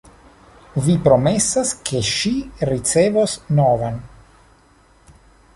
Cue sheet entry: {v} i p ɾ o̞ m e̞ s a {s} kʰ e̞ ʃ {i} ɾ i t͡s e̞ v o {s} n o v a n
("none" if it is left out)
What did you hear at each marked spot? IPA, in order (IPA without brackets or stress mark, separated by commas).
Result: v, s, i, s